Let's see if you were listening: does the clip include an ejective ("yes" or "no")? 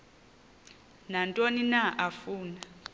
yes